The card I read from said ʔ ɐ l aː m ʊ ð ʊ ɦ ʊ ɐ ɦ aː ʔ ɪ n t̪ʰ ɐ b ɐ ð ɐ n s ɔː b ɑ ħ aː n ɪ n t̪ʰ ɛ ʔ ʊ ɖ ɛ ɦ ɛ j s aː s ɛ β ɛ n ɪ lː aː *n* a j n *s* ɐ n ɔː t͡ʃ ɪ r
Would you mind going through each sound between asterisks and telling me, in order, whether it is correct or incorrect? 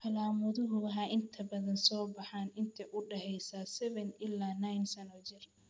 correct, correct

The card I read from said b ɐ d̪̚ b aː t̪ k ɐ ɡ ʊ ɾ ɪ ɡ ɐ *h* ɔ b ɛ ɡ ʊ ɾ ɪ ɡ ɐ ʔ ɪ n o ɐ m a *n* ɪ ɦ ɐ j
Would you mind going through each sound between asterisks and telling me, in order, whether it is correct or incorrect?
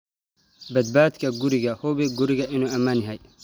correct, correct

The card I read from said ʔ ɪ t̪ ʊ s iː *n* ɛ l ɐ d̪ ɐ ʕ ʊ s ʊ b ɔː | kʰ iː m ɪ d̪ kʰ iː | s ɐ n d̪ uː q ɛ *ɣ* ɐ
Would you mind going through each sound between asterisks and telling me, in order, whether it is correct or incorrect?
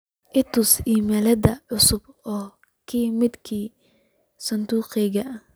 incorrect, correct

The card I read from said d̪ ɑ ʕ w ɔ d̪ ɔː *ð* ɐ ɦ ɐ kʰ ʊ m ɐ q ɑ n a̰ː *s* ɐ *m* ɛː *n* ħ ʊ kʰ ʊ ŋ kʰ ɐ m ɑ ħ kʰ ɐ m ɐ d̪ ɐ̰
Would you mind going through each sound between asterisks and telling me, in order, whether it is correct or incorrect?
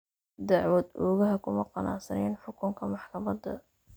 incorrect, correct, incorrect, correct

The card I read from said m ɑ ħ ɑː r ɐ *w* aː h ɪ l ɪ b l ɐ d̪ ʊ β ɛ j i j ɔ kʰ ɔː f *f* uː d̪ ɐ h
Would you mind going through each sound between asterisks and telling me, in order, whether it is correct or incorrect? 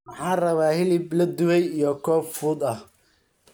incorrect, correct

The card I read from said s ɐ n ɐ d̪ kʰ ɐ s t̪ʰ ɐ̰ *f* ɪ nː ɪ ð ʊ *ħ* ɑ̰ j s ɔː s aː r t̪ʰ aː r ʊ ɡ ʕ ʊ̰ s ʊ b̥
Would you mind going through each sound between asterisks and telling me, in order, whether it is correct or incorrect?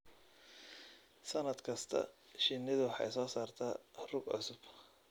incorrect, correct

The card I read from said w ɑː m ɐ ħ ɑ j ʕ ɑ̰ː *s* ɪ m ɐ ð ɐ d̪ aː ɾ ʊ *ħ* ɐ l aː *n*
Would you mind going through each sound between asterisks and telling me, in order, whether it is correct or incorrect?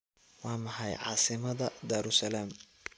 correct, incorrect, incorrect

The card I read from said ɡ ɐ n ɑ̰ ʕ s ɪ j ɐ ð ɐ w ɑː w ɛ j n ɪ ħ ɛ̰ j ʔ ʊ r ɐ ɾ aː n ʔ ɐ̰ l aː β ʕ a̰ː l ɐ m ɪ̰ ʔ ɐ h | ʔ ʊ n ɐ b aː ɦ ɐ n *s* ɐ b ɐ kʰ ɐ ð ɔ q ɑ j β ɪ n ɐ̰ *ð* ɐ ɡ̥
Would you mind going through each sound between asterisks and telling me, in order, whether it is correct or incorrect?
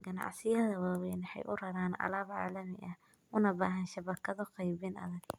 incorrect, correct

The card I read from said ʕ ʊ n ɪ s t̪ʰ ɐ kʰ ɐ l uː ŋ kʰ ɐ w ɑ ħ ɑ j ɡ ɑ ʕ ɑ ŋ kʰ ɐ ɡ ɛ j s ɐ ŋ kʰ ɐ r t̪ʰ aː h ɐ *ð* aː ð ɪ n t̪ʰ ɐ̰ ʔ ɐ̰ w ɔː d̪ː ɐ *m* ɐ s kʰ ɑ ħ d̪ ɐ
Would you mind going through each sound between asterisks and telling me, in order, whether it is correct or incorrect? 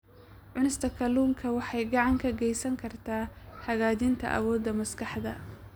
incorrect, correct

